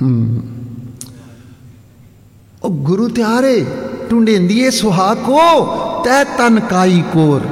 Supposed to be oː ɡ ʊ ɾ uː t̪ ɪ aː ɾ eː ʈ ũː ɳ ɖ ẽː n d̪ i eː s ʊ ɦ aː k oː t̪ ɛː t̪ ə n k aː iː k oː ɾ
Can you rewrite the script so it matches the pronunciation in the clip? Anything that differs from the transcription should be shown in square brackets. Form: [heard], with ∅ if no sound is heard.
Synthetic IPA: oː ɡ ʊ ɾ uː t̪ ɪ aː ɾ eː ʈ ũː ɳ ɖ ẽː n d̪ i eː s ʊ ɦ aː k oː t̪ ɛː t̪ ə n k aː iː k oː ɾ